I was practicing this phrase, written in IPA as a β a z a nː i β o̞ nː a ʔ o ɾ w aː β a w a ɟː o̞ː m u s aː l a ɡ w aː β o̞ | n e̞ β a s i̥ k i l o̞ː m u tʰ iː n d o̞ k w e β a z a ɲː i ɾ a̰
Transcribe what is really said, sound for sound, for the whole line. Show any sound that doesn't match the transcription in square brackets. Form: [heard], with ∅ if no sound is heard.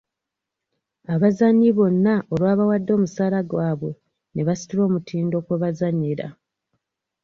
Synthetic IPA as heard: a β a z a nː i β o̞ nː a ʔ o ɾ w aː β a w a [dː] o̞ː m u s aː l a ɡ w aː β o̞ | n e̞ β a s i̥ [t] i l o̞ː m u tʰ iː n d o̞ k w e β a z a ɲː i ɾ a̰